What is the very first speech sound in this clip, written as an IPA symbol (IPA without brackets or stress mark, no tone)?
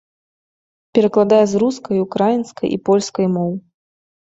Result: pʲ